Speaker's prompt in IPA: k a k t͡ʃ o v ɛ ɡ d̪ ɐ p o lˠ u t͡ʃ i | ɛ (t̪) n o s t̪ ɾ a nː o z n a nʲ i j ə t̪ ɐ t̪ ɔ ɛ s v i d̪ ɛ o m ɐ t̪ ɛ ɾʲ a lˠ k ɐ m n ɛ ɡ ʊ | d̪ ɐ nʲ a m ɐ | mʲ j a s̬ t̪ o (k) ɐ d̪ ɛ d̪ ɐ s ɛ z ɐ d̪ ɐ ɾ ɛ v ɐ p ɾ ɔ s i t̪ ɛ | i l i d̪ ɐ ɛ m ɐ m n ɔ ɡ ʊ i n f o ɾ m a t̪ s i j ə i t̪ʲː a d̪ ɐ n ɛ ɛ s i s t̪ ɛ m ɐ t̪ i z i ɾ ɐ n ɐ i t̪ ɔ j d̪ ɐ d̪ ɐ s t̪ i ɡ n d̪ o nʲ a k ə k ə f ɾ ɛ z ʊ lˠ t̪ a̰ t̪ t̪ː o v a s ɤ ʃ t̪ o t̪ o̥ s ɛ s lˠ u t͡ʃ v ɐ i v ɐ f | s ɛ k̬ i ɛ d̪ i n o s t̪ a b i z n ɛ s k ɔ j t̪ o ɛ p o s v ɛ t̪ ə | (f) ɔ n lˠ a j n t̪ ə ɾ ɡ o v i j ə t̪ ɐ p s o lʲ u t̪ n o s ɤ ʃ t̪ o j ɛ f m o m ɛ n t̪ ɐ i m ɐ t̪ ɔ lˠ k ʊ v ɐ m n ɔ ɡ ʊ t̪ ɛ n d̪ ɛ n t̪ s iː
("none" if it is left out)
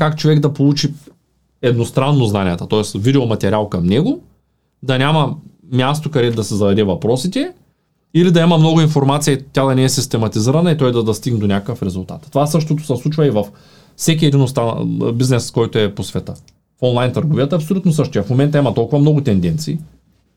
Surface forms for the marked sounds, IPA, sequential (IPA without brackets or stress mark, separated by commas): d̪, k, f